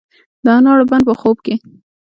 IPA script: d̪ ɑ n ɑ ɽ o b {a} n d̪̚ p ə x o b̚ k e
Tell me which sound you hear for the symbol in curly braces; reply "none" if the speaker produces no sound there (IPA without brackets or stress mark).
a